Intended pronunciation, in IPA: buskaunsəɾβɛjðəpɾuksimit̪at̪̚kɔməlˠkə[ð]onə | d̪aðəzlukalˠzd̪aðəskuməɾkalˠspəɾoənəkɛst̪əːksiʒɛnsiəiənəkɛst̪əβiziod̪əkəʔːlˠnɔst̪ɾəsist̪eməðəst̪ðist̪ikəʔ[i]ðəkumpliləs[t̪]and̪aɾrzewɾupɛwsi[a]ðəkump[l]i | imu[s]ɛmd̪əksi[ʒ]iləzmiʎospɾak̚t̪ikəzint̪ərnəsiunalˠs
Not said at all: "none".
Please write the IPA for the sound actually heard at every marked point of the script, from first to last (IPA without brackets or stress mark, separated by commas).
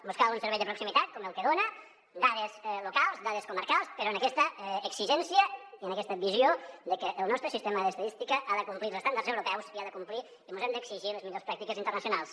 ð, a, t̪, a, l, z, ʒ